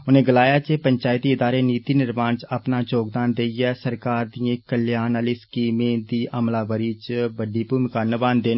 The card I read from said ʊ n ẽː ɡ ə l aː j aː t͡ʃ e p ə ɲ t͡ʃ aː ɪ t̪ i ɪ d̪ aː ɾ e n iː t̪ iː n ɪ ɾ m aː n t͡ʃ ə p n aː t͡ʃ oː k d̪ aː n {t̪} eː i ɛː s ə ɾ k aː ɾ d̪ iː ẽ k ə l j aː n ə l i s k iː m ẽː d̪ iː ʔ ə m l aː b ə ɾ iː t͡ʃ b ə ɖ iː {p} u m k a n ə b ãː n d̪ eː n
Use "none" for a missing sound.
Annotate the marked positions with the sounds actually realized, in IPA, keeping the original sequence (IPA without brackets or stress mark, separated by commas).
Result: d̪, p